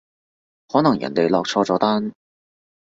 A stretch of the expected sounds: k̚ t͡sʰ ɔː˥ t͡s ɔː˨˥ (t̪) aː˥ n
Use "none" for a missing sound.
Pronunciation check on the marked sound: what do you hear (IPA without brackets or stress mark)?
t̪